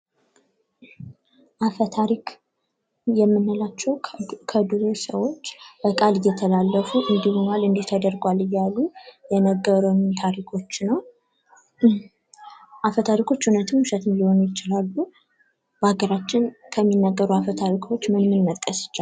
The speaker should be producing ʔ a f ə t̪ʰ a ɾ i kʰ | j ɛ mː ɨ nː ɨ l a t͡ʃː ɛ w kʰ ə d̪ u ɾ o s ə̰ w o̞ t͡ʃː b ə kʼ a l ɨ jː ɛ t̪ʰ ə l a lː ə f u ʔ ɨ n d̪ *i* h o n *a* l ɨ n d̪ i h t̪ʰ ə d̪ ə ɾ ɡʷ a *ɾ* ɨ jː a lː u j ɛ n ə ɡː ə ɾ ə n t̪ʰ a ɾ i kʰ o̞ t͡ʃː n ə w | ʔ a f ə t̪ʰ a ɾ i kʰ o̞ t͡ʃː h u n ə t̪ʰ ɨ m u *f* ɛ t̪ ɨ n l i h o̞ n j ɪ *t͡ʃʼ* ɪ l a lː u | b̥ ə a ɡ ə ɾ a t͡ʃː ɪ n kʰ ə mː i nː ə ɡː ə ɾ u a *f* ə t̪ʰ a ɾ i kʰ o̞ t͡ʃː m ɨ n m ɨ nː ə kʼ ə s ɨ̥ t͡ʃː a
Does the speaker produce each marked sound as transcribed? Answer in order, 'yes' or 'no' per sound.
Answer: yes, yes, no, no, no, yes

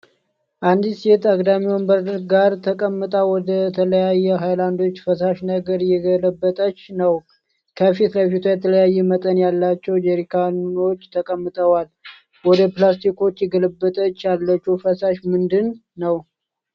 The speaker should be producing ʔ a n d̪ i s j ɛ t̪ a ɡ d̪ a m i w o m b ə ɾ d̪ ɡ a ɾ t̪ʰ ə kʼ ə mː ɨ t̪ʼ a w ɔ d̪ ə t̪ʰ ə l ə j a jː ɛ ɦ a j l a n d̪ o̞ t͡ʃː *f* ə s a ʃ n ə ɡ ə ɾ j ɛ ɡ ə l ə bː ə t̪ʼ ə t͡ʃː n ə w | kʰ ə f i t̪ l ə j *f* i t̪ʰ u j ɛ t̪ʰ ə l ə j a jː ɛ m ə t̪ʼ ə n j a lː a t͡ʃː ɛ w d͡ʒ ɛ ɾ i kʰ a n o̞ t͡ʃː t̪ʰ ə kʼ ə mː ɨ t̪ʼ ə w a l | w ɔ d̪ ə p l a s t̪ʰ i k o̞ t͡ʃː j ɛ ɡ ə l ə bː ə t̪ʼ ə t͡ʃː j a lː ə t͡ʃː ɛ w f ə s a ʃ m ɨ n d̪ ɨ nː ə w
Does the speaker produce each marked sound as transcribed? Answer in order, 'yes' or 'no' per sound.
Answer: yes, yes

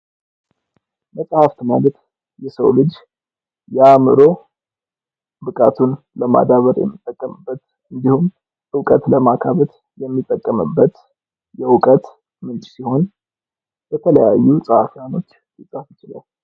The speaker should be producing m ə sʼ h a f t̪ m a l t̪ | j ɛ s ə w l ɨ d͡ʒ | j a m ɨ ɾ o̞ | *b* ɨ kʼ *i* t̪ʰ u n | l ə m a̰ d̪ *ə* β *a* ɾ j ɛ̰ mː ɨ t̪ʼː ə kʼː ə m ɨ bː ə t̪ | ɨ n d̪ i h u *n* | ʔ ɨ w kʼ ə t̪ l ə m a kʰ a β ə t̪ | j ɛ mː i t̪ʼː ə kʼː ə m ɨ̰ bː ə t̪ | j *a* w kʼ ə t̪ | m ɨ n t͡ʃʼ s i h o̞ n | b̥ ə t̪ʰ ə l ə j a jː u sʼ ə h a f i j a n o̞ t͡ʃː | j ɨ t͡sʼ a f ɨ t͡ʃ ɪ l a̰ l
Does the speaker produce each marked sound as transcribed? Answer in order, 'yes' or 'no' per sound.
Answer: yes, no, no, no, no, no

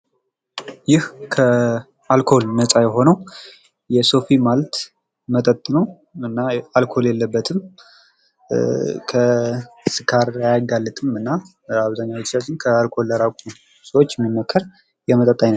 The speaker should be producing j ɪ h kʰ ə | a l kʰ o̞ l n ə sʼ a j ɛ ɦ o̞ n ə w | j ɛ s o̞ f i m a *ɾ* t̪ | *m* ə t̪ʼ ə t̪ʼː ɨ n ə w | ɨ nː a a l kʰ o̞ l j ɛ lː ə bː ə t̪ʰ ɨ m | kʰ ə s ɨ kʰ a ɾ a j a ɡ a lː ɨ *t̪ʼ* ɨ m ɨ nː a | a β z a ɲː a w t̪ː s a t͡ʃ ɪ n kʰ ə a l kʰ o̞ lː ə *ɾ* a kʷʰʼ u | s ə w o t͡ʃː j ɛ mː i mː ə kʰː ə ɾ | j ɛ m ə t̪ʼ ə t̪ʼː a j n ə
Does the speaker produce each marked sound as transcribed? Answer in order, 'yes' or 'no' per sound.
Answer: no, yes, yes, yes

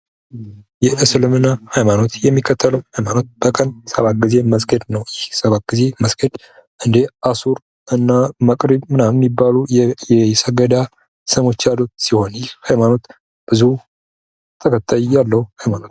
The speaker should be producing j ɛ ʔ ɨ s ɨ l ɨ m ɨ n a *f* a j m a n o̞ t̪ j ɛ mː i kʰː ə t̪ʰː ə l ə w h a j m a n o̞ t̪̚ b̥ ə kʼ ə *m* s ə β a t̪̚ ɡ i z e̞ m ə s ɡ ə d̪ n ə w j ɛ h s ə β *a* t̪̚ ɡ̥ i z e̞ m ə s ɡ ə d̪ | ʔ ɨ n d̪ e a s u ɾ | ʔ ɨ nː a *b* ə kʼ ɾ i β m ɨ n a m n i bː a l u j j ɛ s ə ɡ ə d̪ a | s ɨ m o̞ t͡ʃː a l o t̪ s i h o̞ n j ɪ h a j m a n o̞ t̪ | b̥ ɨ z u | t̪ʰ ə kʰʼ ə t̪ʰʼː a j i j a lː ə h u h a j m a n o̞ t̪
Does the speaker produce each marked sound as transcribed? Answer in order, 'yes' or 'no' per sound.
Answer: no, no, yes, no

